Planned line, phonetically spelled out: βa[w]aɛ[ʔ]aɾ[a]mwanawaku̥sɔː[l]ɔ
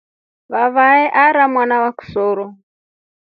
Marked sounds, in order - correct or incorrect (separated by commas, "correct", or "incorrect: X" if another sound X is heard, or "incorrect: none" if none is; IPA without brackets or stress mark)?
incorrect: β, correct, correct, incorrect: ɾ